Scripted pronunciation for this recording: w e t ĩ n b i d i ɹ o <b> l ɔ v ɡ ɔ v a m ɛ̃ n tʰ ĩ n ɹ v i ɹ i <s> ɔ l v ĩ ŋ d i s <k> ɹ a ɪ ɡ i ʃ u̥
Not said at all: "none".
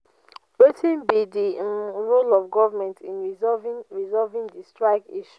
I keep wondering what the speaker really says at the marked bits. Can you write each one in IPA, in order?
none, z, t

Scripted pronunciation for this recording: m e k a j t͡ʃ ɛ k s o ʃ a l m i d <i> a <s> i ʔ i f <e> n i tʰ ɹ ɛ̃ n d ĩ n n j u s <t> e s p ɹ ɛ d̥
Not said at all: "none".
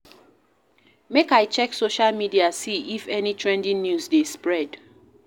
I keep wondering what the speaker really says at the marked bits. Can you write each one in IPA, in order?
i, s, ɛ, d

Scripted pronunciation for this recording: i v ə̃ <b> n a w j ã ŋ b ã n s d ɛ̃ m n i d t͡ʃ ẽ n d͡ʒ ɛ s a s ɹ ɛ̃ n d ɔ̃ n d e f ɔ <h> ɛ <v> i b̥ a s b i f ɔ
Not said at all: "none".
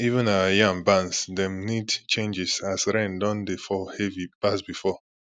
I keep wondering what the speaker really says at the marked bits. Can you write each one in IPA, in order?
none, h, v

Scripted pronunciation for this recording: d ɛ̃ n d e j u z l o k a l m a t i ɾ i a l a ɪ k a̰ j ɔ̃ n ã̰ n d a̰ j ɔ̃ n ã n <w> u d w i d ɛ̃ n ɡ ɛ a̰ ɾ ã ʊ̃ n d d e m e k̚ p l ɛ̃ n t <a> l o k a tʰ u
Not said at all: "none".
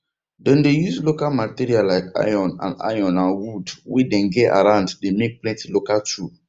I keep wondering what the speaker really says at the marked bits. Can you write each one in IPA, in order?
w, i

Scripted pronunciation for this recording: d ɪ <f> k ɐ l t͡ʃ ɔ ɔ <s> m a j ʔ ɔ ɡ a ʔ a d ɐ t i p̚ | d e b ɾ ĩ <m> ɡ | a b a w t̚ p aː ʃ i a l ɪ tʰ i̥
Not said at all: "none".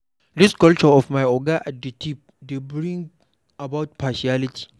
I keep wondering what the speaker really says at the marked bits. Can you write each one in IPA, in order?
s, f, ŋ

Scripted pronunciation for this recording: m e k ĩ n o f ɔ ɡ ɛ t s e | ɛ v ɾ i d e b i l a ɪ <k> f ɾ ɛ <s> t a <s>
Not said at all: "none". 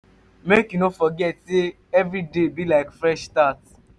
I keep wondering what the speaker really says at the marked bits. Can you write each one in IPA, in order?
k, ʃ, t

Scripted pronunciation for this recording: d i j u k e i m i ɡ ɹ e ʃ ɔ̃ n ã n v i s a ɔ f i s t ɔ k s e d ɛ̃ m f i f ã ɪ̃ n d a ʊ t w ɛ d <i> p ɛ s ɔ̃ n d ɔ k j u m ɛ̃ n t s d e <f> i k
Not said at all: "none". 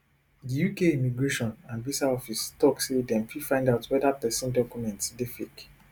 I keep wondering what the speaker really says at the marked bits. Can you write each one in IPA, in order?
a, f

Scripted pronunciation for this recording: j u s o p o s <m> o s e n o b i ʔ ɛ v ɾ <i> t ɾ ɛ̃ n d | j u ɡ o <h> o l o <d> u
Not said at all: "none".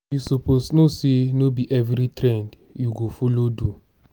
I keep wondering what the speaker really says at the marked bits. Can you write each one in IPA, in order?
n, i, f, d

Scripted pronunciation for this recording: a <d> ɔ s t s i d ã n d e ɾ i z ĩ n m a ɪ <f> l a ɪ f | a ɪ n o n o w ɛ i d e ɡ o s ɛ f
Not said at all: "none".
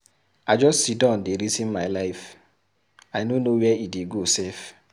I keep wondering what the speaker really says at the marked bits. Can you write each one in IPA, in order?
d͡ʒ, none

